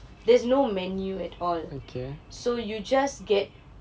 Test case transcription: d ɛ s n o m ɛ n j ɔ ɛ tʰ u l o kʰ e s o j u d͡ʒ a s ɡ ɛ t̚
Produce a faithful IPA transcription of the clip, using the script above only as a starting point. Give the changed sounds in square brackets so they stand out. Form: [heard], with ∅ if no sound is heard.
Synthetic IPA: d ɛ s n o m ɛ n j [u] ɛ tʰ [ɔ] l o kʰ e s o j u d͡ʒ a s ɡ ɛ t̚